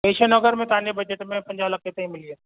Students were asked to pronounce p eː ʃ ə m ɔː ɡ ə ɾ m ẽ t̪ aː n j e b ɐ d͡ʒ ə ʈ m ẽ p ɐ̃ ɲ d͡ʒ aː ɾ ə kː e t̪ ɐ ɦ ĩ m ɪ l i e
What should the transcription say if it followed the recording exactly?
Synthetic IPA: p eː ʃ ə n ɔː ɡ ə ɾ m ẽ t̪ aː n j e b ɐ d͡ʒ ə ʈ m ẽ p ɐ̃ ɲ d͡ʒ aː l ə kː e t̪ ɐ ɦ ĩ m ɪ l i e

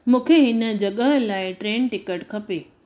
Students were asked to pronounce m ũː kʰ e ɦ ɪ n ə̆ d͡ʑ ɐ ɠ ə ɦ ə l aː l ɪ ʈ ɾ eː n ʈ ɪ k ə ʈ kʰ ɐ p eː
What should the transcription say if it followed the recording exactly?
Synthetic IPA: m ũː kʰ e ɦ ɪ n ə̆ d͡ʑ ɐ ɠ ə ɦ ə l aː ɪ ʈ ɾ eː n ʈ ɪ k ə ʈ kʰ ɐ p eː

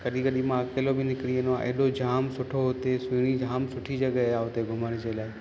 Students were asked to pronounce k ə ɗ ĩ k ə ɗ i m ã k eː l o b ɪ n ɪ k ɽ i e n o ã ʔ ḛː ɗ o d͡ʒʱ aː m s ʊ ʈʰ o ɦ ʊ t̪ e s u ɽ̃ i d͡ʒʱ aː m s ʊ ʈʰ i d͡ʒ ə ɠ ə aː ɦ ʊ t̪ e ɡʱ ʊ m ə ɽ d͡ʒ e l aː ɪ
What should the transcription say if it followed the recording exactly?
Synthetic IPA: k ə ɗ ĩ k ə ɗ i m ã k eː l o b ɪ n ɪ k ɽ i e n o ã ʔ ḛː ɗ o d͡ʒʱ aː m s ʊ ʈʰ o ɦ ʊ t̪ e s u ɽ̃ i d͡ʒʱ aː m s ʊ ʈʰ i d͡ʒ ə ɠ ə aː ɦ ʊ t̪ e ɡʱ ʊ m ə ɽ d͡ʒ e l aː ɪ

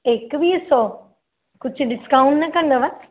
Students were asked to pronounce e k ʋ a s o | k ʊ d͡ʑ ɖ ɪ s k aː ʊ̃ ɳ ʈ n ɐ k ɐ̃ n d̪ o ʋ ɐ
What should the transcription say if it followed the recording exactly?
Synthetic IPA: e k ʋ i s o | k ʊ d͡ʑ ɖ ɪ s k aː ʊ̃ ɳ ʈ n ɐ k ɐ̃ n d̪ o ʋ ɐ

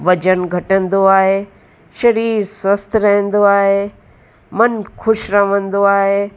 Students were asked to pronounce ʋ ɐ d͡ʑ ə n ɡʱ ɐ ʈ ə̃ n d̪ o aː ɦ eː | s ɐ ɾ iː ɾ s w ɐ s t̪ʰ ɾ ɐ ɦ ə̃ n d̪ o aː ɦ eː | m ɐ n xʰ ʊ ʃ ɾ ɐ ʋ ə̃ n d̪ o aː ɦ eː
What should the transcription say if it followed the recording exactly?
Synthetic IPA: ʋ ɐ d͡ʑ ə n ɡʱ ɐ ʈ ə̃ n d̪ o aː ɦ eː | ʃ ɐ ɾ iː ɾ s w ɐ s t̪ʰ ɾ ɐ ɦ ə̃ n d̪ o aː ɦ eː | m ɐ n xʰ ʊ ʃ ɾ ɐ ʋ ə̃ n d̪ o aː ɦ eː

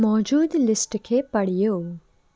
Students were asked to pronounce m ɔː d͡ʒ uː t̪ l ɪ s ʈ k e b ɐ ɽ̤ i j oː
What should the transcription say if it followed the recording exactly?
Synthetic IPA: m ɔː d͡ʒ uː d̪ l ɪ s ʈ kʰ e p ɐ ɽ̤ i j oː

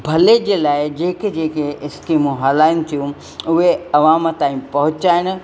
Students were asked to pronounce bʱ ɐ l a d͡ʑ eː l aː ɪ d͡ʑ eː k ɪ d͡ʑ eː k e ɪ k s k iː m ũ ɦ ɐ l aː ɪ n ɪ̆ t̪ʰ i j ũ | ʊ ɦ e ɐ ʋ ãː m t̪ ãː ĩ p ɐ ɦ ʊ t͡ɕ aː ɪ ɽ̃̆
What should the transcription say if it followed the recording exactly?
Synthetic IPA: bʱ ɐ l e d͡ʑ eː l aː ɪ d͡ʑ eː k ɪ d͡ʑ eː k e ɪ s k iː m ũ ɦ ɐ l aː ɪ n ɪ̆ t̪ʰ i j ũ | ʊ ɦ e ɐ ʋ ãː m t̪ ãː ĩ p ɐ ɦ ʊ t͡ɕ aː ɪ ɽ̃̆

